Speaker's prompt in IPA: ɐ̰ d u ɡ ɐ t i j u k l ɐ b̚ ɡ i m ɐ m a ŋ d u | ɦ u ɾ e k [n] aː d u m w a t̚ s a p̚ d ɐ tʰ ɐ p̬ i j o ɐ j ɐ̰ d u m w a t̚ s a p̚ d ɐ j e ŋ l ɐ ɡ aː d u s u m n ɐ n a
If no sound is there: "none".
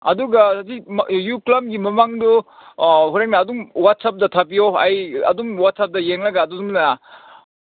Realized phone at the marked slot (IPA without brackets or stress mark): n